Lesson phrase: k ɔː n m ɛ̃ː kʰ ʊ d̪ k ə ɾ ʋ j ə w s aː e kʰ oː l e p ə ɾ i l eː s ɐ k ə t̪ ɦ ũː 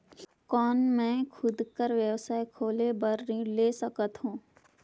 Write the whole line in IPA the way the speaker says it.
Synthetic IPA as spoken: k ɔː n m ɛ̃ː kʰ ʊ d̪ k ə ɾ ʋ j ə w s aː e kʰ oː l e b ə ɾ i l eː s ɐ k ə t̪ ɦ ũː